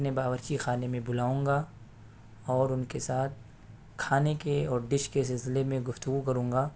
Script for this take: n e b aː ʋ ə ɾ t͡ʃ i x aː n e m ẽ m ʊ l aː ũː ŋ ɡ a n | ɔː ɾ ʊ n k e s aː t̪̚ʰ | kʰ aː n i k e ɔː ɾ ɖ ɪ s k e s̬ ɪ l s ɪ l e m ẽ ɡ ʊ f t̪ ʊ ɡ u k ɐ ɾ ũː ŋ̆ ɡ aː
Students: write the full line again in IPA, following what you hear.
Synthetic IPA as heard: n e b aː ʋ ə ɾ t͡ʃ i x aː n e m ẽ b ʊ l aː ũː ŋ ɡ a | ɔː ɾ ʊ n k e s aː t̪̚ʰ | kʰ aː n e k e ɔː ɾ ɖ ɪ ʃ k e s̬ ɪ l s ɪ l e m ẽ ɡ ʊ f t̪ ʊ ɡ u k ɐ ɾ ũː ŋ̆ ɡ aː